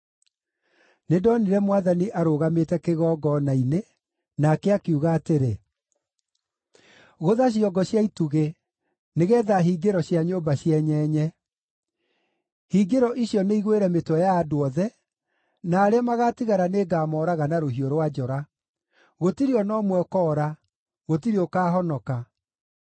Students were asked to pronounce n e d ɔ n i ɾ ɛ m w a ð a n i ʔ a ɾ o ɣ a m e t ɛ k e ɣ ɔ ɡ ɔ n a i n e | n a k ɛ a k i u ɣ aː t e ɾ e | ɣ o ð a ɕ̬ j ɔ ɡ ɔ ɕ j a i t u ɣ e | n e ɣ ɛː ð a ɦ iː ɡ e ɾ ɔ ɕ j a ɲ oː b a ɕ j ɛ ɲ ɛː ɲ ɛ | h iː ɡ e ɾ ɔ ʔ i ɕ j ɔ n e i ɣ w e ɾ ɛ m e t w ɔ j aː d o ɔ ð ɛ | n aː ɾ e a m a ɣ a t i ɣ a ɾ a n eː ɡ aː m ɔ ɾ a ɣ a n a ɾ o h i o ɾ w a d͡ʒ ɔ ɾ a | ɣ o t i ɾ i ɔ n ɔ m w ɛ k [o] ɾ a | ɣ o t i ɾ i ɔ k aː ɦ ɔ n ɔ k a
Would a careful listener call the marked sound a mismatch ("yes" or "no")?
yes